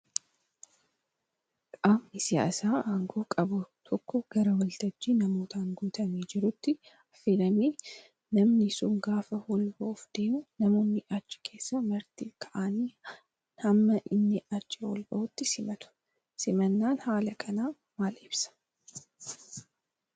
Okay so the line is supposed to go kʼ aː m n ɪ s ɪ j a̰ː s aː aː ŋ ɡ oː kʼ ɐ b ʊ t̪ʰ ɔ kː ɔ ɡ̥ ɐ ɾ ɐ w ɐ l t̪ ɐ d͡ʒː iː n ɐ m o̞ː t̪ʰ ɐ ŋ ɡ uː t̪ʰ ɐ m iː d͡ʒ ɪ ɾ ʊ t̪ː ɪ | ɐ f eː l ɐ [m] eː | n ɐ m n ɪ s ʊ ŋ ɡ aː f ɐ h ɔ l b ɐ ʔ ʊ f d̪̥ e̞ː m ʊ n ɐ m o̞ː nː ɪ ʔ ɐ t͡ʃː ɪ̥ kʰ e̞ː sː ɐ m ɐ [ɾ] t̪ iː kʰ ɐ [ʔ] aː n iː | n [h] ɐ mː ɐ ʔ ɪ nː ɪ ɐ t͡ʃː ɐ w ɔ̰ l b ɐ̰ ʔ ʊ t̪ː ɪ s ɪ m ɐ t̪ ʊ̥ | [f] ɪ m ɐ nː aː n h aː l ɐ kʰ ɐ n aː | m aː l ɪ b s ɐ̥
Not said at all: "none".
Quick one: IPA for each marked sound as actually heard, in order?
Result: m, ɾ, ʔ, h, s

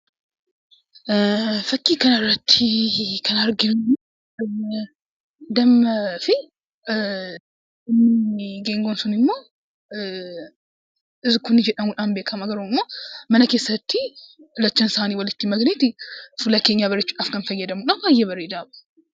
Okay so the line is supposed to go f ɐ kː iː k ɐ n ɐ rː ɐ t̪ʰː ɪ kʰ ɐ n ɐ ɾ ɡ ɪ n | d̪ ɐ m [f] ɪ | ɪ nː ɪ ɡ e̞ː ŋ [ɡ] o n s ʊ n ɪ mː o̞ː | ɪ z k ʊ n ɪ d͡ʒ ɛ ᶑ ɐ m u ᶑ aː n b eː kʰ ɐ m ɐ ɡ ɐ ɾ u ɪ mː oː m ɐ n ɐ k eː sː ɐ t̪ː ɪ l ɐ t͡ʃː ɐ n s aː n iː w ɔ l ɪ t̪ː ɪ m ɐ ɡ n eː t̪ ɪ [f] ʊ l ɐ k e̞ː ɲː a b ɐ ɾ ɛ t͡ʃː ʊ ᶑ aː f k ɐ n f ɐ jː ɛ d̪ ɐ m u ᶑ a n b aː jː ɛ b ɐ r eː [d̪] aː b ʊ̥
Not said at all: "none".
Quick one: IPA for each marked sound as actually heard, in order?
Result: f, ɡ, f, d̪

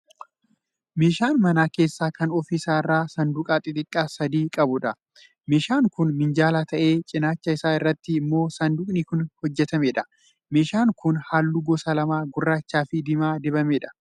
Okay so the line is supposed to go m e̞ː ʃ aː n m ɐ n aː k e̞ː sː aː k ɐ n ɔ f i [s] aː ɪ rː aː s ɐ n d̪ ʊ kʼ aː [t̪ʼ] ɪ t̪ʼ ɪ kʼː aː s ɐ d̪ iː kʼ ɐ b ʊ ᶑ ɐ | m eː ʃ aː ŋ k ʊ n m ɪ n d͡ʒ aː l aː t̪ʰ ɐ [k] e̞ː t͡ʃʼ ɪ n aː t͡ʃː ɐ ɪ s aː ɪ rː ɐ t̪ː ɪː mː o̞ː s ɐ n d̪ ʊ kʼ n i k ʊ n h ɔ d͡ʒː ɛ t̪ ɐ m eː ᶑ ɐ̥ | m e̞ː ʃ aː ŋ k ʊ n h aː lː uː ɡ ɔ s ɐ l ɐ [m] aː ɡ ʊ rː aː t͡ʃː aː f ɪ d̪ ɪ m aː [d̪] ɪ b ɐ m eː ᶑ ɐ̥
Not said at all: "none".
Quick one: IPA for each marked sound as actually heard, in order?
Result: s, t̪ʼ, ʔ, m, d̪

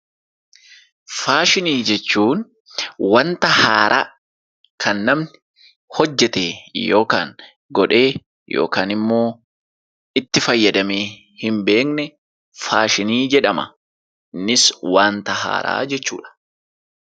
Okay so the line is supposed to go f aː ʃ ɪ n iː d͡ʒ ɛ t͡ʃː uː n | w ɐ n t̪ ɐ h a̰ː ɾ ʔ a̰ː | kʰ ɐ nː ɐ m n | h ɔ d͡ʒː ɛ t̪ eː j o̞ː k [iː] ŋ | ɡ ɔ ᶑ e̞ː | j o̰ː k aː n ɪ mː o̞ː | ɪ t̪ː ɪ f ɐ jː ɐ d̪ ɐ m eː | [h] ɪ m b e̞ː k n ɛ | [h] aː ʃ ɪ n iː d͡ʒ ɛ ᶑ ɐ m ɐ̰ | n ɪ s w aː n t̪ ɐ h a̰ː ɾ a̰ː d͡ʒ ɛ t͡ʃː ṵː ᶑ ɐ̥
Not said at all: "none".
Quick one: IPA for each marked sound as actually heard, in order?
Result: aː, h, f

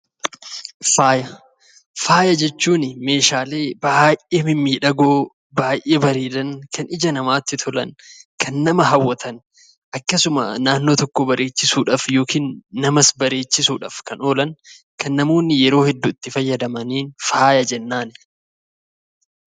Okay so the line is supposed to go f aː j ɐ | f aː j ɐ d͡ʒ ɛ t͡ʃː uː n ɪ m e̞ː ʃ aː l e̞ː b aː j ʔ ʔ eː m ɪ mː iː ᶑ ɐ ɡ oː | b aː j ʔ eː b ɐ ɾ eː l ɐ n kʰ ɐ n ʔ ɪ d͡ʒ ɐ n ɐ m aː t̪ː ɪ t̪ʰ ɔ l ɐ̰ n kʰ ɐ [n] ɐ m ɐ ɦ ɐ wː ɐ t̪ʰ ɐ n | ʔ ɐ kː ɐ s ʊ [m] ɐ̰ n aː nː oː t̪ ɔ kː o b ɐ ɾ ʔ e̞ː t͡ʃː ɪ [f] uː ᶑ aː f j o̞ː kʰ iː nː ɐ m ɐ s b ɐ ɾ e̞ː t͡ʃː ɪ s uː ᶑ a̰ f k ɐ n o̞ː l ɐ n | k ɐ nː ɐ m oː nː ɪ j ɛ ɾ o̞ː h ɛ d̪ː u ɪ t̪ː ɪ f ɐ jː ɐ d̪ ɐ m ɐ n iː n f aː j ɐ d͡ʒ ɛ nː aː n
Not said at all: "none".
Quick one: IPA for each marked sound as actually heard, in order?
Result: nː, m, s

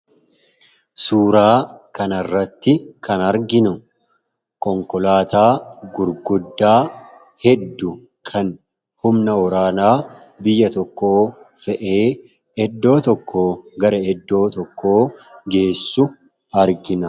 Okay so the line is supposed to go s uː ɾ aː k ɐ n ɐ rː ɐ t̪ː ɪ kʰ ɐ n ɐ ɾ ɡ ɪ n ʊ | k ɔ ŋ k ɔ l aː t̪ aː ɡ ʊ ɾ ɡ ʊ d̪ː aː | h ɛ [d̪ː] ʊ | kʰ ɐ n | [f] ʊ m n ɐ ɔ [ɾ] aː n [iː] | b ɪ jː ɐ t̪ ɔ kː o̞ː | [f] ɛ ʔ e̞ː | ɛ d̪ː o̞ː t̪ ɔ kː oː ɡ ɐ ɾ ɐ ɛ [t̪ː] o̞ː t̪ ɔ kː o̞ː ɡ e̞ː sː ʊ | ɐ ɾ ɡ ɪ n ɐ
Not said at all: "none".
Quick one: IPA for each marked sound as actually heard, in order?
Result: d̪ː, h, ɾ, aː, f, d̪ː

